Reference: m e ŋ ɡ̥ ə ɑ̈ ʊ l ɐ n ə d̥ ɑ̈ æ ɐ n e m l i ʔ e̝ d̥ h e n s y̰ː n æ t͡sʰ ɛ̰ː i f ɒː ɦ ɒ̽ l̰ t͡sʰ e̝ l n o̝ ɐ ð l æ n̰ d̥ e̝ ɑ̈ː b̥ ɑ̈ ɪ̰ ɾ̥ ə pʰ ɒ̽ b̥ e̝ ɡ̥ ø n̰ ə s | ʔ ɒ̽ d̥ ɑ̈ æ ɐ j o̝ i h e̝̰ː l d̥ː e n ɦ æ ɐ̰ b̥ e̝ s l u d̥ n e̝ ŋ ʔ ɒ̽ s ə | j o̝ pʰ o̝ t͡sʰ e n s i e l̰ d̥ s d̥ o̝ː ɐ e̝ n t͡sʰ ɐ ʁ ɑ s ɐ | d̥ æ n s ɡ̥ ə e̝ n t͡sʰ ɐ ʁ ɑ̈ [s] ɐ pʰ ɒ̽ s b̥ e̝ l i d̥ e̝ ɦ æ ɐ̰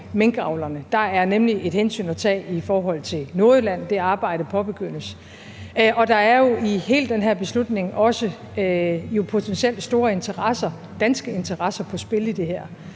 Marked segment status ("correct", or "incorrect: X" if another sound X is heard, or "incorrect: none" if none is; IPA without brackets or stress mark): correct